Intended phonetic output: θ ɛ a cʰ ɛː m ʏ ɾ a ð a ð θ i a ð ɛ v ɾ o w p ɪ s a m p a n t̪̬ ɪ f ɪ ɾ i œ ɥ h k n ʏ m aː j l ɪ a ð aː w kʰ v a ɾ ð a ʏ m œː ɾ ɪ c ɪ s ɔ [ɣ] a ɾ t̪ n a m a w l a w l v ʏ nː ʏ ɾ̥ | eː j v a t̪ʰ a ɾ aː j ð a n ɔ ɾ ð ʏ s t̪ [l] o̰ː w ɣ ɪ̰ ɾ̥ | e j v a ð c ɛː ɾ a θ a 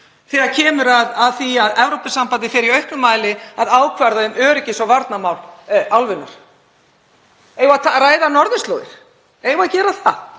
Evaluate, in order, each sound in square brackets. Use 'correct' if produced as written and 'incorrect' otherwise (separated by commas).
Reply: incorrect, correct